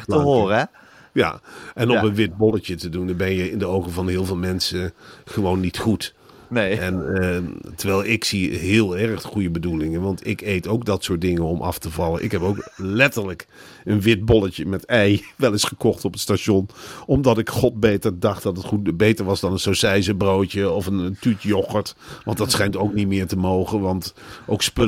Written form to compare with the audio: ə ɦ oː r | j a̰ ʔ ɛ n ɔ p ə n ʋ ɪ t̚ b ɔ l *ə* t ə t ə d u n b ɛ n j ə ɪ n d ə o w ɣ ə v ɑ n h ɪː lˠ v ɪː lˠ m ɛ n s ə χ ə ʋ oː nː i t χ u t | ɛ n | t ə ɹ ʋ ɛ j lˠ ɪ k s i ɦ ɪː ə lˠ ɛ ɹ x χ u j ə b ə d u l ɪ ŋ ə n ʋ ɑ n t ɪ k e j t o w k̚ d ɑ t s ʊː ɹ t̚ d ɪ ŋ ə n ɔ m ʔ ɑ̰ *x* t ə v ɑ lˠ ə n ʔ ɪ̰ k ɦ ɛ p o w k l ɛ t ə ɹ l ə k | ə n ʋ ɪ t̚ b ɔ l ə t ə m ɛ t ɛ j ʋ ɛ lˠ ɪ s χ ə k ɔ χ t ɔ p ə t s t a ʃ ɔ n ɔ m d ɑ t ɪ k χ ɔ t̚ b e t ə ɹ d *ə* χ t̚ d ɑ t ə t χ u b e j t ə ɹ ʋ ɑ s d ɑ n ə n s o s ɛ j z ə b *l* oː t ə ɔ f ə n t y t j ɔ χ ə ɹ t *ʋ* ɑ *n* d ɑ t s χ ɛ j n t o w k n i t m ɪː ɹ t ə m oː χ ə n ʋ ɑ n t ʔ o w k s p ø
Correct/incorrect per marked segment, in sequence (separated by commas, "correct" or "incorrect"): correct, incorrect, incorrect, incorrect, correct, correct